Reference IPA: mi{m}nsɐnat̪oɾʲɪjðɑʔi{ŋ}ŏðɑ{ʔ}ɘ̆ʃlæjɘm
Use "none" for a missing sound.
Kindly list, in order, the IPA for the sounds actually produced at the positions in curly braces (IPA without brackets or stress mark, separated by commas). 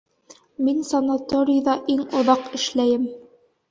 none, ŋ, q